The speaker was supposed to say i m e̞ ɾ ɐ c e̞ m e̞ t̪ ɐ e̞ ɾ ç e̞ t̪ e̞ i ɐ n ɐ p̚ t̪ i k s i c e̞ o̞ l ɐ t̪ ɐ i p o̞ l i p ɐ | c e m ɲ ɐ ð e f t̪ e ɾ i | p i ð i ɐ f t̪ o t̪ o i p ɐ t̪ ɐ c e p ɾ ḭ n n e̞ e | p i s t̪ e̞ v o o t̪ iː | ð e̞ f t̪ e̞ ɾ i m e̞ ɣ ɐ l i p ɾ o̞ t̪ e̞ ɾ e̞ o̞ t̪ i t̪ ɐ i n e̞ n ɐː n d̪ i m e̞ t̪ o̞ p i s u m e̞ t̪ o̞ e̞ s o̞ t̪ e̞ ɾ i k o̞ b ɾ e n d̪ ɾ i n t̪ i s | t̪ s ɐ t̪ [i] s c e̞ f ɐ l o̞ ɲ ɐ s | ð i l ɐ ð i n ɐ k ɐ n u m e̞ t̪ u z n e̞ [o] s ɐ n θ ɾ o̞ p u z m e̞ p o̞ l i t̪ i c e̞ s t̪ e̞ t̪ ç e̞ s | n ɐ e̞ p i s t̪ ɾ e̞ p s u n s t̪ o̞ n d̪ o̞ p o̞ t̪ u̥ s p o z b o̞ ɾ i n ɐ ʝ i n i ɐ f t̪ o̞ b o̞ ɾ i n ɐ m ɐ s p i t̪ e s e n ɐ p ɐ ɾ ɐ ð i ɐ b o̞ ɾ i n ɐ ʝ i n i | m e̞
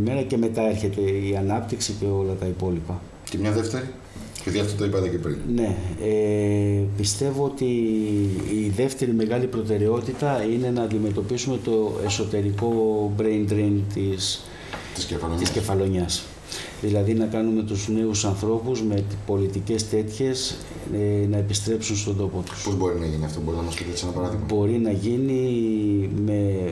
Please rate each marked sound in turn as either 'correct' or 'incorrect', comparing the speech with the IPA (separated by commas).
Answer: correct, incorrect